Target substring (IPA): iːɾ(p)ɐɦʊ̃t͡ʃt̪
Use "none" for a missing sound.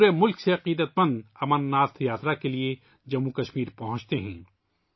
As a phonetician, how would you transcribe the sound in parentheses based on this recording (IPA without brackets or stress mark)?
p